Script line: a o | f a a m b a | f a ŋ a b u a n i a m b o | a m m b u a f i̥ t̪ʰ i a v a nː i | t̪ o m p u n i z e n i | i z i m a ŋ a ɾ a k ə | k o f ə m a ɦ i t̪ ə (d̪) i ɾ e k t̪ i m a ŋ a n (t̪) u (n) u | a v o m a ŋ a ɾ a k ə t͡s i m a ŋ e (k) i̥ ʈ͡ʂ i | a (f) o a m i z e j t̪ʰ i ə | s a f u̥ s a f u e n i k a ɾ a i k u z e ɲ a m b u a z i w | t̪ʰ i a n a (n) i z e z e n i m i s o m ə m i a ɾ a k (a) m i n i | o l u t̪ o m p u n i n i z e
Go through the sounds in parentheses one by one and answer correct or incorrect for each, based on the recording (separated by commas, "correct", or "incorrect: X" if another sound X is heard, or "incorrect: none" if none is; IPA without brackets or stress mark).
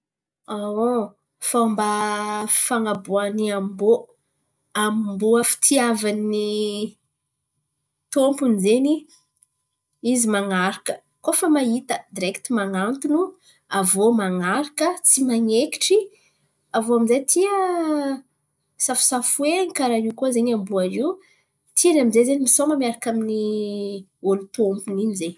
correct, correct, correct, correct, incorrect: v, incorrect: m, correct